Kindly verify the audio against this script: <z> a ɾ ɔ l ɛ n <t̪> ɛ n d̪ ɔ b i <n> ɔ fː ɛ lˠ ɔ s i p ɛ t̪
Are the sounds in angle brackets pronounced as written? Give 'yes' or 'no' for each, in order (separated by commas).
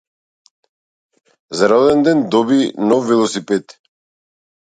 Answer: yes, no, yes